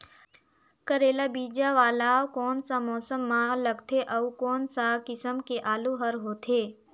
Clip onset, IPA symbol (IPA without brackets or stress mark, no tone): k